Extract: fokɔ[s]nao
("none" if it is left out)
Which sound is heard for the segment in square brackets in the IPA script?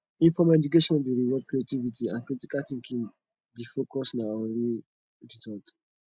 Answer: s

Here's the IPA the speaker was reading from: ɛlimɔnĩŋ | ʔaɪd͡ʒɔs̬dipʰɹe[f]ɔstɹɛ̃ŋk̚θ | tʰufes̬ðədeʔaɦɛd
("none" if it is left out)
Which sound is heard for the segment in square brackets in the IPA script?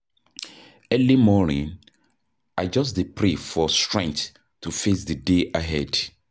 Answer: f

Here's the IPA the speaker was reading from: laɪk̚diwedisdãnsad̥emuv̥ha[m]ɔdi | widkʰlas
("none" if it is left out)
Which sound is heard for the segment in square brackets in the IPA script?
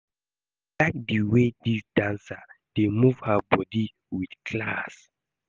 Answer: b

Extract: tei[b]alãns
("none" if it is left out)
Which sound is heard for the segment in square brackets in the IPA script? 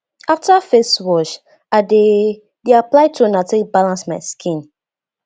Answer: b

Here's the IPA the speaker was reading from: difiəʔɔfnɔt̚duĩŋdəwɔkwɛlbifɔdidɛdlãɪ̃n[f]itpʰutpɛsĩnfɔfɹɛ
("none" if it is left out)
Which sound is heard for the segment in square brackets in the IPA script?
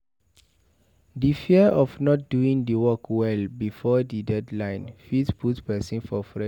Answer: f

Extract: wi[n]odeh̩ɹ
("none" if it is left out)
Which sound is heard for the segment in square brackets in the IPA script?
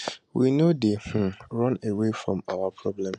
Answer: n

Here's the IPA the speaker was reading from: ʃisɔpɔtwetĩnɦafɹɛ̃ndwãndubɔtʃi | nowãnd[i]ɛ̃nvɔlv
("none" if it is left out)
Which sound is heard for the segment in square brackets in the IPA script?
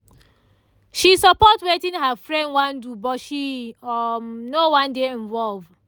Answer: e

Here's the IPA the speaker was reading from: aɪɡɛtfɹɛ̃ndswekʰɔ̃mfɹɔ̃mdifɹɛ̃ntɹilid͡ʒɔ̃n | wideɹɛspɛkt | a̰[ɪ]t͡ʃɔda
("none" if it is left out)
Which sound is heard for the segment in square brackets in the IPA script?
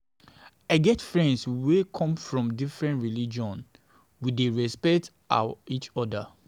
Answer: i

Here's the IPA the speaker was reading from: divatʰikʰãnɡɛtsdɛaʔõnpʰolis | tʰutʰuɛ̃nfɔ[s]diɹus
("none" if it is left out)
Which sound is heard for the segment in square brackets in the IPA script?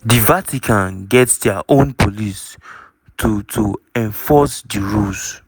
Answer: s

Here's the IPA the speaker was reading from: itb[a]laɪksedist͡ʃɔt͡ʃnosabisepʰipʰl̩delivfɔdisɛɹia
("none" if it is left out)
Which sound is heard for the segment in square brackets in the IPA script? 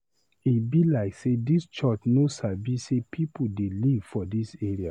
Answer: i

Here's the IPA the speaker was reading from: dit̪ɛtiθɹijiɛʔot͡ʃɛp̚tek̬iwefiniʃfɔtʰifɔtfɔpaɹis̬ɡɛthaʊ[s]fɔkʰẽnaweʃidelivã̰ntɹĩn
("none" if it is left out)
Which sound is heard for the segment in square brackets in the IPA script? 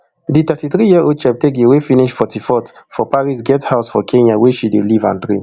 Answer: s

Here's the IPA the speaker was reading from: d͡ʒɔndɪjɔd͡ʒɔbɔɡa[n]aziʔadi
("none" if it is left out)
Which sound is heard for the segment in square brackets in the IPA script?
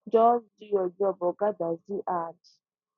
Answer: d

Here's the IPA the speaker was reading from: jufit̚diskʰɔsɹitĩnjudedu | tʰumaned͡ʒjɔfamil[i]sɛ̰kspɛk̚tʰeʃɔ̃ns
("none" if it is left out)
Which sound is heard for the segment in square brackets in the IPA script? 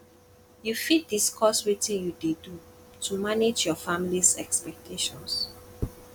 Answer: i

